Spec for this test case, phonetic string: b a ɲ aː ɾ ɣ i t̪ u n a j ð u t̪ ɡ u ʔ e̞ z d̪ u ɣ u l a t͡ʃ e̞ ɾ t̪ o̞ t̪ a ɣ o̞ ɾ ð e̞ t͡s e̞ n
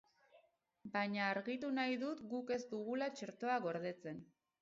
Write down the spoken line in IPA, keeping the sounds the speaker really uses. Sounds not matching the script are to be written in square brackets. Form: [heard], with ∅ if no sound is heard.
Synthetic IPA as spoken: b a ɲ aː ɾ ɣ i t̪ u n a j ð u t̪ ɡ u [k] e̞ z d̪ u ɣ u l a t͡ʃ e̞ ɾ t̪ o̞ [∅] a ɣ o̞ ɾ ð e̞ t͡s e̞ n